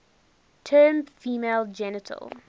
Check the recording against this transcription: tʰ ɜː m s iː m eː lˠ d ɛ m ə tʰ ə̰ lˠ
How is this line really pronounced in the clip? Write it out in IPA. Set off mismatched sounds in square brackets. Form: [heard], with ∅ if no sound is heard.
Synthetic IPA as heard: tʰ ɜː m [f] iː m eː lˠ [d͡ʒ] ɛ [n] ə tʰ ə̰ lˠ